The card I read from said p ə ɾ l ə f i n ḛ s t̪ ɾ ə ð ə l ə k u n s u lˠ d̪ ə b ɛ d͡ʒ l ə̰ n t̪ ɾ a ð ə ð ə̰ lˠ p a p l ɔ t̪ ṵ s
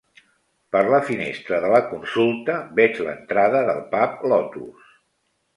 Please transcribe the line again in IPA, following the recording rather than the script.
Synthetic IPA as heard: p ə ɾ l ə f i n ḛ s t̪ ɾ ə ð ə l ə k u n s u lˠ t̪ ə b ɛ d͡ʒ l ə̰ n t̪ ɾ a ð ə ð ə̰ lˠ p a p l ɔ t̪ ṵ s